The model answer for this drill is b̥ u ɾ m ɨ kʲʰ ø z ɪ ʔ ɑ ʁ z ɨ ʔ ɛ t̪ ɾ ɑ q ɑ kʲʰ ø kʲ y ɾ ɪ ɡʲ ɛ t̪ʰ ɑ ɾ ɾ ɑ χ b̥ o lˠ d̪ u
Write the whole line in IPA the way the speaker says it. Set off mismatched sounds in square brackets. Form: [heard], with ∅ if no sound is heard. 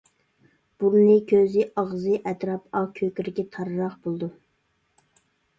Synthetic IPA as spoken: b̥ u ɾ [n] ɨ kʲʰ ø z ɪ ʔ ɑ ʁ z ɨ ʔ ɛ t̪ ɾ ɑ [p] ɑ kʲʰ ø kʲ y ɾ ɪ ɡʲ ɛ t̪ʰ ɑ ɾ ɾ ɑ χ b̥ o lˠ d̪ u

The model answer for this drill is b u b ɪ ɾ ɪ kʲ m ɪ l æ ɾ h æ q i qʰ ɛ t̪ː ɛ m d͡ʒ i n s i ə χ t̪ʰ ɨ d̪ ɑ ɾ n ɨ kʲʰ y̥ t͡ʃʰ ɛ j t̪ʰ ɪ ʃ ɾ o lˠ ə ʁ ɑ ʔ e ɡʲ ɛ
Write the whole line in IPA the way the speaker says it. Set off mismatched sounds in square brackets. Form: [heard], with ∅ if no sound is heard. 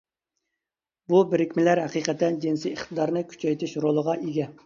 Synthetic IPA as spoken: b u b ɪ ɾ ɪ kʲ m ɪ l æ ɾ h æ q i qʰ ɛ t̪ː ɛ [n] d͡ʒ i n s i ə χ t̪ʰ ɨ d̪ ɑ ɾ n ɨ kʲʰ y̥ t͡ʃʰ ɛ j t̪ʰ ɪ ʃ ɾ o lˠ ə ʁ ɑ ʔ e ɡʲ ɛ

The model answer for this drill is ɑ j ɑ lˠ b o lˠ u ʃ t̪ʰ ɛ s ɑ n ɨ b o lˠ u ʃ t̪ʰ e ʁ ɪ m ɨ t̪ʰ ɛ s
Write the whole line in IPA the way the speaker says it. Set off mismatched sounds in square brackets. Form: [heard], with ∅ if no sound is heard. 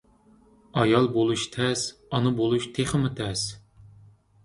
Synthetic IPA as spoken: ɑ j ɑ lˠ b o lˠ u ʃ t̪ʰ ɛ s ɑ n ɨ b o lˠ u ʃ t̪ʰ e [χ] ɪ m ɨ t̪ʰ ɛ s

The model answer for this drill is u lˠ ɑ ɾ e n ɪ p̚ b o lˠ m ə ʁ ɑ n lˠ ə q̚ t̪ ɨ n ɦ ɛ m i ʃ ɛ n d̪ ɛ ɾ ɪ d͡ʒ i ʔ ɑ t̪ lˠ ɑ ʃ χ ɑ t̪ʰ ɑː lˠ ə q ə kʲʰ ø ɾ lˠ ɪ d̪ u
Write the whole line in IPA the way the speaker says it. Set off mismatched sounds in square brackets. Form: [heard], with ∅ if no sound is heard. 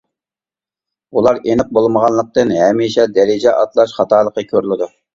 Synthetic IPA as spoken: u lˠ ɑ ɾ e n ɪ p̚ b o lˠ m ə ʁ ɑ n lˠ ə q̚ t̪ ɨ n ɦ ɛ m i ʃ ɛ [∅] d̪ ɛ ɾ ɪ d͡ʒ [ɛ] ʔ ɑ t̪ lˠ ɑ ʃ χ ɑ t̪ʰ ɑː lˠ ə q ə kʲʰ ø ɾ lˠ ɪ d̪ u

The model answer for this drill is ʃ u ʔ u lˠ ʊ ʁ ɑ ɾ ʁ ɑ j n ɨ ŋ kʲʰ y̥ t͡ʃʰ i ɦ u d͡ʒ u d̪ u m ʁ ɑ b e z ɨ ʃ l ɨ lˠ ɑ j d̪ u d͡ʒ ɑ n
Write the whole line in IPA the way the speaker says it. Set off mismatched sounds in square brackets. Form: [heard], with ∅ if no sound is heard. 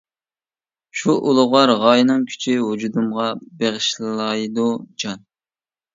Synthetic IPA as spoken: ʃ u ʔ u lˠ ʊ ʁ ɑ ɾ ʁ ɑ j n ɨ ŋ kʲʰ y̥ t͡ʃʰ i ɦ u d͡ʒ u d̪ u m ʁ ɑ b e [ʁ] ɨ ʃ l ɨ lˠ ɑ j d̪ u d͡ʒ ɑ n

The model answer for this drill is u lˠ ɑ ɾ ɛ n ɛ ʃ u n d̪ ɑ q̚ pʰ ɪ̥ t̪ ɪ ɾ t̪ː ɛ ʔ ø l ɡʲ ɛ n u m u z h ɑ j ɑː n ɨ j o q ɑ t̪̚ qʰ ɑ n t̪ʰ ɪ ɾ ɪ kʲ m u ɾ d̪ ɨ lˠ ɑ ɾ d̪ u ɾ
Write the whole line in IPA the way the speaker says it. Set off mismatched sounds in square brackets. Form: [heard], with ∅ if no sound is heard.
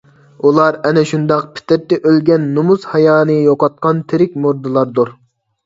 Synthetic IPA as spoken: u lˠ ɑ ɾ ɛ n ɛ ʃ u n d̪ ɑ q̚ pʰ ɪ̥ t̪ ɪ ɾ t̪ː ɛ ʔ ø l ɡʲ ɛ [nː] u m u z h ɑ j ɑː n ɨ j o q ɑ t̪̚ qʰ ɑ n t̪ʰ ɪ ɾ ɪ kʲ m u ɾ d̪ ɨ lˠ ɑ ɾ d̪ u ɾ

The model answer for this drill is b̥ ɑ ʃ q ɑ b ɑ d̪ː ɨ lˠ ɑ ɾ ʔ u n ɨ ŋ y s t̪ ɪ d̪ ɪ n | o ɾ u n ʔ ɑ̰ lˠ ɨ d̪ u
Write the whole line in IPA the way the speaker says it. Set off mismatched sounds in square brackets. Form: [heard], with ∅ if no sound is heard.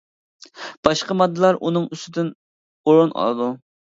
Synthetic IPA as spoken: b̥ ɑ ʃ q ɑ [m] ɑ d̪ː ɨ lˠ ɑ ɾ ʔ u n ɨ ŋ y s t̪ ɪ d̪ ɪ n | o ɾ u n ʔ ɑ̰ lˠ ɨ d̪ u

